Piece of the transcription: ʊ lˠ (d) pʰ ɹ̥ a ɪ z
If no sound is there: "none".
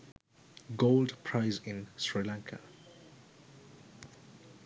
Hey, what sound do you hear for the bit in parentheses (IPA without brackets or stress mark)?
d